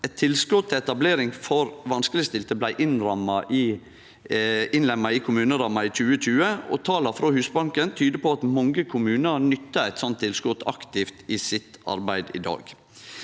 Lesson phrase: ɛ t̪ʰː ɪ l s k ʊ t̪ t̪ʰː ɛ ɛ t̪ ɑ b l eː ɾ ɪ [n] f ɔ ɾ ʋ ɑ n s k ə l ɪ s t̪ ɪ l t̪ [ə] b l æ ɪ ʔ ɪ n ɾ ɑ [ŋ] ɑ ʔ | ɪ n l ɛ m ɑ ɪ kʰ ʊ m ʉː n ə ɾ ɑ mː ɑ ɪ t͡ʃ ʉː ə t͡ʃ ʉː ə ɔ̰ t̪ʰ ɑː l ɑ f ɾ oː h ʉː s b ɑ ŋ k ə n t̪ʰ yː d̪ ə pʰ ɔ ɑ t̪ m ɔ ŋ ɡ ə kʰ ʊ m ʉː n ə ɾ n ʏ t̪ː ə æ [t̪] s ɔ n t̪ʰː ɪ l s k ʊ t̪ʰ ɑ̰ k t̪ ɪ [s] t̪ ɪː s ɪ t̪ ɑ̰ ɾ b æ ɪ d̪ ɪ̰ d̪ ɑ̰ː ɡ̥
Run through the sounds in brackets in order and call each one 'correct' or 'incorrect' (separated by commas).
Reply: incorrect, correct, incorrect, correct, incorrect